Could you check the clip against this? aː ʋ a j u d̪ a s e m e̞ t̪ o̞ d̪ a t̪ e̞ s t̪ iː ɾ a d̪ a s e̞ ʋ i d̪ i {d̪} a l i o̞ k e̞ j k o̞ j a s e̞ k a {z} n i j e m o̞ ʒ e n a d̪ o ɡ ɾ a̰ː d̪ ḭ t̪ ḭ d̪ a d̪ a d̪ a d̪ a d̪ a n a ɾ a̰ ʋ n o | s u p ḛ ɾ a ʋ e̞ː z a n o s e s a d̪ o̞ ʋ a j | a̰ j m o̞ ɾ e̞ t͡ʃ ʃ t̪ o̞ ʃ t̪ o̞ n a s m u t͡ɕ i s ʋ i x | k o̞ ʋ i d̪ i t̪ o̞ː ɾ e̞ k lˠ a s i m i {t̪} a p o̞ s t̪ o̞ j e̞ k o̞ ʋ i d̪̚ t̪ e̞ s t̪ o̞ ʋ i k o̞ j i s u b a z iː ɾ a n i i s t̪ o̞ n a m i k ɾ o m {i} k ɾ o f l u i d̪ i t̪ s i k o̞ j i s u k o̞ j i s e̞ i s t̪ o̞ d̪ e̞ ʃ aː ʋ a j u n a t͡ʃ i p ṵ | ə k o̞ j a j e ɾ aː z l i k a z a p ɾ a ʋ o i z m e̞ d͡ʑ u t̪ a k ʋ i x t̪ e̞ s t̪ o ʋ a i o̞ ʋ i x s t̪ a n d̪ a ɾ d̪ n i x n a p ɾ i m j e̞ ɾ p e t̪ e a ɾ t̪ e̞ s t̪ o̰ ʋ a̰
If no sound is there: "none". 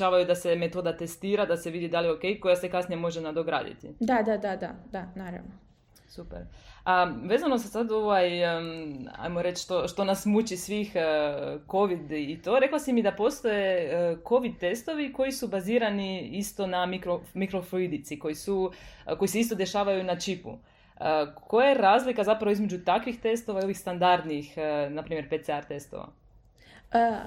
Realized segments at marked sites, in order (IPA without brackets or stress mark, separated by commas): d̪, s, d̪, i